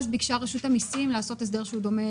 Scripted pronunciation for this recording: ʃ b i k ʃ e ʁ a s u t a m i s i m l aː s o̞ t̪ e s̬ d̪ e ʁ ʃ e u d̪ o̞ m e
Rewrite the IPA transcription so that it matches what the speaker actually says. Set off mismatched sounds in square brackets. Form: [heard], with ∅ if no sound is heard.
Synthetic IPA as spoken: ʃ b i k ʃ [a] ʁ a [ʃ] u t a m i s i m l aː s o̞ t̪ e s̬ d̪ e ʁ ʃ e u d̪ o̞ m e